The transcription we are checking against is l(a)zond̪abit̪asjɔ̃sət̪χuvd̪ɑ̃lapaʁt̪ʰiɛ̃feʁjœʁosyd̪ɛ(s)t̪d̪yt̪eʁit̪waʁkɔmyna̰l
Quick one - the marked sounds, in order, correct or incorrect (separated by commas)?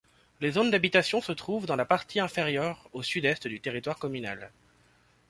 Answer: incorrect, correct